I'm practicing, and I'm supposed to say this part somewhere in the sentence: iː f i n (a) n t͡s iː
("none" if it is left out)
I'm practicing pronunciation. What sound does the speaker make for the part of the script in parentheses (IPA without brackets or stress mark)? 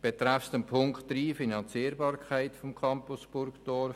ɑ